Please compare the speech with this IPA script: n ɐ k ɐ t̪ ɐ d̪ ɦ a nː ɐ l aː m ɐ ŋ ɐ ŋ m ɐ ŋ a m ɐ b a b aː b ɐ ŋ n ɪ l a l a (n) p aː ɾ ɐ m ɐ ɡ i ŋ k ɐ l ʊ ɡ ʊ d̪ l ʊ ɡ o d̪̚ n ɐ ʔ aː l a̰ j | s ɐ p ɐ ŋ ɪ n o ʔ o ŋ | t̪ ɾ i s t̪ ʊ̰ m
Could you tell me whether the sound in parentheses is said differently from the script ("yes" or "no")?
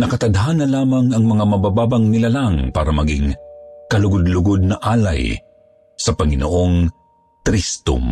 yes